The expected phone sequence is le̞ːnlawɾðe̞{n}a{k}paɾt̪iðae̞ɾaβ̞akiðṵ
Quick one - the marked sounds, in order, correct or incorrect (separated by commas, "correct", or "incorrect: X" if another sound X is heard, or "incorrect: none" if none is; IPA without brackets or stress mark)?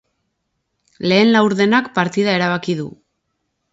correct, correct